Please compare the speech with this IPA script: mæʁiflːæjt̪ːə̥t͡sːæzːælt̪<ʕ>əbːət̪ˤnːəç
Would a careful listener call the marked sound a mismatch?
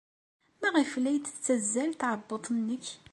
no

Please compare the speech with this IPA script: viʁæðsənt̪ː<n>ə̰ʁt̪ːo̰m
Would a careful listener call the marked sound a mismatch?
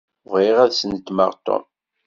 yes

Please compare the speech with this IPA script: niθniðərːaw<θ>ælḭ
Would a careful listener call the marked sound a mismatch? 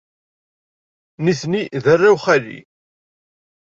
yes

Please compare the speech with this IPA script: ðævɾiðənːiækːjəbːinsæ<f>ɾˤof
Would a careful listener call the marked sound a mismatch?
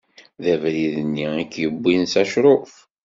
yes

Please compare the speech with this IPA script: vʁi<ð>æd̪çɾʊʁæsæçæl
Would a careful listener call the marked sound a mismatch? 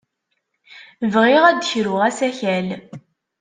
yes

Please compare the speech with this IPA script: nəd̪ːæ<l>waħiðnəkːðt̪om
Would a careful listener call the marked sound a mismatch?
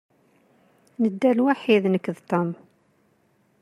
no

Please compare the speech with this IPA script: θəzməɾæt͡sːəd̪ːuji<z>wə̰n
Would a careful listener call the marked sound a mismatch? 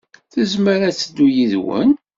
yes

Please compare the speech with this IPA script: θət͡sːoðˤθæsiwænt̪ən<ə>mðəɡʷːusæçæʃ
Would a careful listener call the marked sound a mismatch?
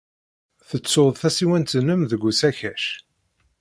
no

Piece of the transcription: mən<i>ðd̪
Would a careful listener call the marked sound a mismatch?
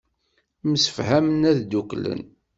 yes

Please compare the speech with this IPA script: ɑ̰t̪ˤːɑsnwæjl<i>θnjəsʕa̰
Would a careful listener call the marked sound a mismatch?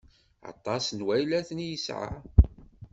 yes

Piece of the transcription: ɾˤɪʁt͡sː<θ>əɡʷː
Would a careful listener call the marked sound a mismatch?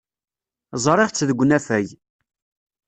yes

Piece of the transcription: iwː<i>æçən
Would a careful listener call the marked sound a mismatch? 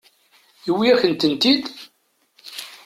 no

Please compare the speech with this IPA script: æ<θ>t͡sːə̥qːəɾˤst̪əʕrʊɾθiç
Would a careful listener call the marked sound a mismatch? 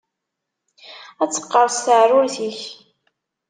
yes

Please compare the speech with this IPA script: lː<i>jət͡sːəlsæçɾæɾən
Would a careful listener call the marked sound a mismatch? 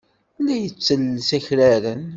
yes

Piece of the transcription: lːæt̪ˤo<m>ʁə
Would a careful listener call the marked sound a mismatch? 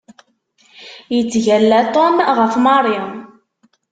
no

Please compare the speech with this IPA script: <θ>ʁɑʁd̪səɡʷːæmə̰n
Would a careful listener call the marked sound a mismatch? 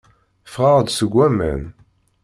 yes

